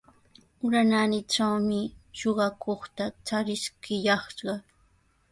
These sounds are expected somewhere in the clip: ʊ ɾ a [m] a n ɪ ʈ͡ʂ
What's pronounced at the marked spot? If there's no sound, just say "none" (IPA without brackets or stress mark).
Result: n